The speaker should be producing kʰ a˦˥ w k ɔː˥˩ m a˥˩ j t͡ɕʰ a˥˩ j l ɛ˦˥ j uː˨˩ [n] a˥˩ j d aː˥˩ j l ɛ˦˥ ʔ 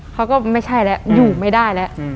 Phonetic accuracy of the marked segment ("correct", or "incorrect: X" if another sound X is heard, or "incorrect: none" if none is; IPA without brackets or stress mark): incorrect: m